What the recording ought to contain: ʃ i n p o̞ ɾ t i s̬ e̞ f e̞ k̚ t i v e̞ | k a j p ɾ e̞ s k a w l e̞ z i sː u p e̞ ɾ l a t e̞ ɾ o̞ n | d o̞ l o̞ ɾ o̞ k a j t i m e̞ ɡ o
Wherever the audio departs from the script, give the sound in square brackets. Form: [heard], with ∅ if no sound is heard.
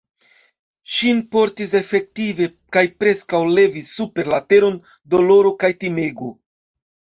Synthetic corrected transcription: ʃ i n p o̞ ɾ t i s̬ e̞ f e̞ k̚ t i v e̞ | k a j p ɾ e̞ s k a w l e̞ [v] i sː u p e̞ ɾ l a t e̞ ɾ o̞ n | d o̞ l o̞ ɾ o̞ k a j t i m e̞ ɡ o